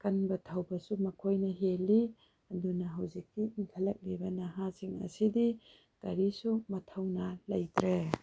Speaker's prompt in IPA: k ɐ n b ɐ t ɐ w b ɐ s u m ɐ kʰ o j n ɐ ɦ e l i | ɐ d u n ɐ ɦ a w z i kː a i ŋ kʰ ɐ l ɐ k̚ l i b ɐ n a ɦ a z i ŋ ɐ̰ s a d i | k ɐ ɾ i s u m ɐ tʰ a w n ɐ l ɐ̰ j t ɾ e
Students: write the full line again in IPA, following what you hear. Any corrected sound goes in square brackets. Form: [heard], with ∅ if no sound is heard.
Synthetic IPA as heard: k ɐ n b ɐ [tʰ] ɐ w b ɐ s u m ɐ kʰ o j n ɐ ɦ e l i | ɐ d u n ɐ ɦ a w z i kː [i] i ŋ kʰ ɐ l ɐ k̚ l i b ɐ n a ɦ a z i ŋ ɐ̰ s [i] d i | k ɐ ɾ i s u m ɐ tʰ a w n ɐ l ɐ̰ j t ɾ e